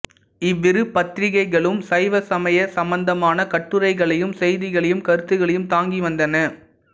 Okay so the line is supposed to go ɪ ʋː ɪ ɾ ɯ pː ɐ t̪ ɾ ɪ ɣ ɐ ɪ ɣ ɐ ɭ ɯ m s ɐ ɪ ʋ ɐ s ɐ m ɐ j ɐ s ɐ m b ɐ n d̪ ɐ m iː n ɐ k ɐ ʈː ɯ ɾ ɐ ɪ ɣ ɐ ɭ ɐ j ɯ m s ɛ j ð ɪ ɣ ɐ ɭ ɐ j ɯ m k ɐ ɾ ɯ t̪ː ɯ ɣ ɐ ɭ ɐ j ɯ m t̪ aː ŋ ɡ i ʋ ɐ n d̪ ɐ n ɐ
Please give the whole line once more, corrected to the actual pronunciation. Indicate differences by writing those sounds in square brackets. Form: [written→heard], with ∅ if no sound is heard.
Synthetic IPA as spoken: ɪ ʋː ɪ ɾ ɯ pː ɐ t̪ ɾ ɪ ɣ ɐ ɪ ɣ ɐ ɭ ɯ m s ɐ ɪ ʋ ɐ s ɐ m ɐ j ɐ s ɐ m b ɐ n d̪ ɐ m [iː→aː] n ɐ k ɐ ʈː ɯ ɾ ɐ ɪ ɣ ɐ ɭ ɐ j ɯ m s ɛ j ð ɪ ɣ ɐ ɭ ɐ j ɯ m k ɐ ɾ ɯ t̪ː ɯ ɣ ɐ ɭ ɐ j ɯ m t̪ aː ŋ ɡ i ʋ ɐ n d̪ ɐ n ɐ